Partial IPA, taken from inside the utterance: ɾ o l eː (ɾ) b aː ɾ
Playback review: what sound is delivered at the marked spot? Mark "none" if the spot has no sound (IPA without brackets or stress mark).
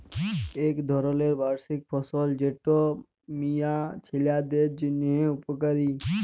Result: ɾ